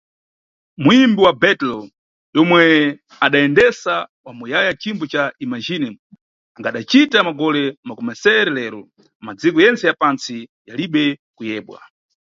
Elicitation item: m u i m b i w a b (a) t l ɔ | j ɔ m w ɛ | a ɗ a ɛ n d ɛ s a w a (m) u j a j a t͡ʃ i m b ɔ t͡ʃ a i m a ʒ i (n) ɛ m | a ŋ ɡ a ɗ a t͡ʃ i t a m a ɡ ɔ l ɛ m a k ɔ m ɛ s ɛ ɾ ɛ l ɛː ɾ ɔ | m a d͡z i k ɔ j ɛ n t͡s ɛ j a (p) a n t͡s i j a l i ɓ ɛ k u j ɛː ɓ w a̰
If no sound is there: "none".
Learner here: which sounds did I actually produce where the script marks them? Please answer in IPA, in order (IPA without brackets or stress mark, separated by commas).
ɛ, m, n, p